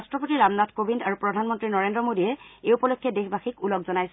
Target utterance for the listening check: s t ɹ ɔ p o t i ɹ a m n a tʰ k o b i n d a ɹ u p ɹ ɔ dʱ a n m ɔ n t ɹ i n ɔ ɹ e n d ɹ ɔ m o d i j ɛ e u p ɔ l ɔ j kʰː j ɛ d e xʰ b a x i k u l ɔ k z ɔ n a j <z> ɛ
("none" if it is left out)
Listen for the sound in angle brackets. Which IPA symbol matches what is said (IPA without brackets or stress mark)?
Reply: s